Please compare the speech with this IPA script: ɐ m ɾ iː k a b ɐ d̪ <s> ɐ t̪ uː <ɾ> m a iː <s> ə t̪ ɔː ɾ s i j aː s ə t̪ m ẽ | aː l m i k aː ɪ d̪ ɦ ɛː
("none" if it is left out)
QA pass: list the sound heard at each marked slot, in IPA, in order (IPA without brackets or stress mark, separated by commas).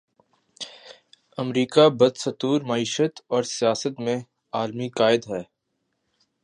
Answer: s, ɾ, ʃ